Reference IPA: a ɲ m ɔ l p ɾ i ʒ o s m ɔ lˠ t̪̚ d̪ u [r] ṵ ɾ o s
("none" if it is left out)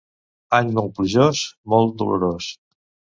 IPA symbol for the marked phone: l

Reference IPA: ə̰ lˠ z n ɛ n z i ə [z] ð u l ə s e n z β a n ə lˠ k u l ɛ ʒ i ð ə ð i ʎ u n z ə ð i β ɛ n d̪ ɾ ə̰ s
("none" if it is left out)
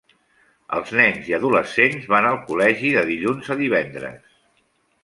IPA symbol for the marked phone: none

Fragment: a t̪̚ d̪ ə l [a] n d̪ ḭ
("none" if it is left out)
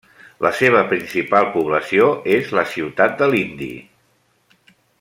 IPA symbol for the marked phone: i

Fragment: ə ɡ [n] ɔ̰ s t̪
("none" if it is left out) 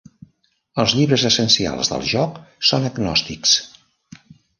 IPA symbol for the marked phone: n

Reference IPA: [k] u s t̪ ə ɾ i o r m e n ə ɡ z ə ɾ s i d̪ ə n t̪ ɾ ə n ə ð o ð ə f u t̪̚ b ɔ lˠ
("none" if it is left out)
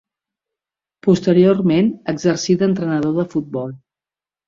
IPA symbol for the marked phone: p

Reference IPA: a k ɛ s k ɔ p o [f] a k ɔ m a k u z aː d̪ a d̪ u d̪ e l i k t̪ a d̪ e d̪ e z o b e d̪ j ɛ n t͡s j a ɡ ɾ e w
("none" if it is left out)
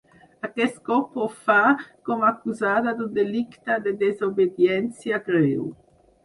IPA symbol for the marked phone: f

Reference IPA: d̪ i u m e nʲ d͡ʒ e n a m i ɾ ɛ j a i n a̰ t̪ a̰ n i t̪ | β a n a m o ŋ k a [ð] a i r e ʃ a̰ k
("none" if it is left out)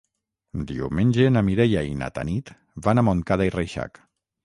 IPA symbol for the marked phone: ð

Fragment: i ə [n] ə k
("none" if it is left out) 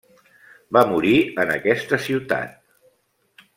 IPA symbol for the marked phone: n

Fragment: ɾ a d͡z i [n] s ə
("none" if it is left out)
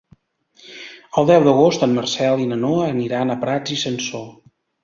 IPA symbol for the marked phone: none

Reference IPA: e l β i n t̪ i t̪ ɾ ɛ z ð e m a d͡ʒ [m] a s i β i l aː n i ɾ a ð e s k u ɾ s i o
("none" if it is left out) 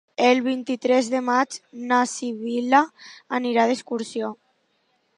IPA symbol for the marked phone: n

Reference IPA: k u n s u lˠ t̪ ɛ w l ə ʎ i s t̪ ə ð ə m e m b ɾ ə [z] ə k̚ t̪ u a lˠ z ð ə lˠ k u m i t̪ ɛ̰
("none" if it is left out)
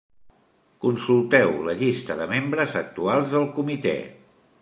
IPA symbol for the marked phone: z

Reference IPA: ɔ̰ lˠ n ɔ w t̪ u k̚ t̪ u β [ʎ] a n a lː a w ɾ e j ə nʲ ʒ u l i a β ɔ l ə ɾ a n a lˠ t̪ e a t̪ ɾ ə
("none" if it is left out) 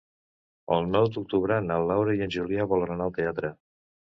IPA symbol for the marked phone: ɾ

